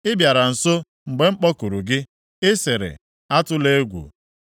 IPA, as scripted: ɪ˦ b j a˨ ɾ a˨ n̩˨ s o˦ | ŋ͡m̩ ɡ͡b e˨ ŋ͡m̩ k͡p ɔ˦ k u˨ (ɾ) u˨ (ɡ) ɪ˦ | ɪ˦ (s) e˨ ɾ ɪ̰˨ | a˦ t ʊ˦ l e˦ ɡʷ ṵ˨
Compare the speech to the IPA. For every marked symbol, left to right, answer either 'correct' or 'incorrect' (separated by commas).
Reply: correct, correct, correct